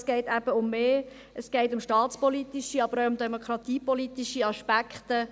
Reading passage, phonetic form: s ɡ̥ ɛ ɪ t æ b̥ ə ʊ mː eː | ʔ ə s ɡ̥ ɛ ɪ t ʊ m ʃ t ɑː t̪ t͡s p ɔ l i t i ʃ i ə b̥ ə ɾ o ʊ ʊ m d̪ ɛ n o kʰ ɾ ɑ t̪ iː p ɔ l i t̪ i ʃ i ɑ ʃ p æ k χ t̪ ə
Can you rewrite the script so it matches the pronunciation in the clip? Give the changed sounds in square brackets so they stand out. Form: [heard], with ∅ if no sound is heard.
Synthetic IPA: s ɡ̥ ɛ ɪ t æ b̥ ə ʊ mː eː | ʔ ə s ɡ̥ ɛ ɪ t ʊ m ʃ t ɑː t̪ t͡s p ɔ l i t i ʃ i [ɑ] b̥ ə ɾ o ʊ ʊ m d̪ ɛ [m] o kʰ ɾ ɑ t̪ iː p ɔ l i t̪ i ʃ i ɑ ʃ p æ k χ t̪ ə